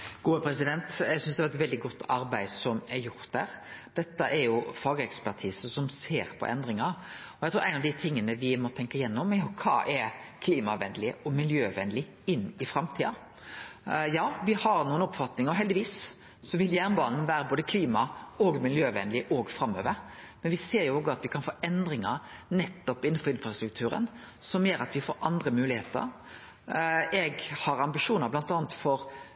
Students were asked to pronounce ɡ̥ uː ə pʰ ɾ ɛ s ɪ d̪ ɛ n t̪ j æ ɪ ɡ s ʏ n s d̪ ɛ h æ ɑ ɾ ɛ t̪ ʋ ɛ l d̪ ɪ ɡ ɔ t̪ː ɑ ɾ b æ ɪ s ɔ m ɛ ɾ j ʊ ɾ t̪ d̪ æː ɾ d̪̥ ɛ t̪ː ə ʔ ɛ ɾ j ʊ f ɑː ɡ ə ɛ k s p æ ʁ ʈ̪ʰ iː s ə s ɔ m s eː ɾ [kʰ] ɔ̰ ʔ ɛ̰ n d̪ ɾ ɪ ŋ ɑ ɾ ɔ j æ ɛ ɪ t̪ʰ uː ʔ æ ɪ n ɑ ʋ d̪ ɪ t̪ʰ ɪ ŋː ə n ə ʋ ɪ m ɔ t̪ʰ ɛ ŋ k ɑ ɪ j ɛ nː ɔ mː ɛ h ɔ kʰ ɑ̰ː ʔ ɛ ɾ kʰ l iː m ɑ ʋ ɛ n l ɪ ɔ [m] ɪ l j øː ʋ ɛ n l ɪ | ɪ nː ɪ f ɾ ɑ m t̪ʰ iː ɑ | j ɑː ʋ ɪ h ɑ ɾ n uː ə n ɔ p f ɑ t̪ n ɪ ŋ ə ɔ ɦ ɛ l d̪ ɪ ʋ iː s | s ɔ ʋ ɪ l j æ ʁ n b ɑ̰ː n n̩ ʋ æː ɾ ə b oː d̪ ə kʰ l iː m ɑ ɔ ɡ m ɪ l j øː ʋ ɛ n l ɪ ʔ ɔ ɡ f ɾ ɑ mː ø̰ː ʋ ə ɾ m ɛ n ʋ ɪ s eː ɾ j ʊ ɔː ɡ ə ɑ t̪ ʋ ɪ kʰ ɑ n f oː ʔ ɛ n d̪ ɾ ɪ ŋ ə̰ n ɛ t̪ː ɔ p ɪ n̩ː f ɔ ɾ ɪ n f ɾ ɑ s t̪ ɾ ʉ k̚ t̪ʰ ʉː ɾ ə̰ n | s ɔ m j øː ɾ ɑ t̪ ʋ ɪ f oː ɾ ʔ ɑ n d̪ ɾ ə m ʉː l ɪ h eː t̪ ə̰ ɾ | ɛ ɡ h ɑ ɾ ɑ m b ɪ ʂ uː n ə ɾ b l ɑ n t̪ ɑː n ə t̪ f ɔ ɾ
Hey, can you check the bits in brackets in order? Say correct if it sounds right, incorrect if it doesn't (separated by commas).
incorrect, correct